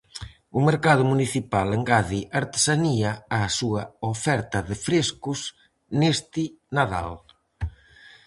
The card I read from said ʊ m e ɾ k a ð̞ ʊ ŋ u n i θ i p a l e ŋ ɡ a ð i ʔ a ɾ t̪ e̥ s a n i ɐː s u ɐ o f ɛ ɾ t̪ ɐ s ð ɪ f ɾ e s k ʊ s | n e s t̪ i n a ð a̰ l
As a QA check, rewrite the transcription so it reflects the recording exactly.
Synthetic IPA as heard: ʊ m e ɾ k a ð̞ ʊ m u n i θ i p a l e ŋ ɡ a ð i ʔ a ɾ t̪ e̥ s a n i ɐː s u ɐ o f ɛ ɾ t̪ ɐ ð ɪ f ɾ e s k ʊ s | n e s t̪ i n a ð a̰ l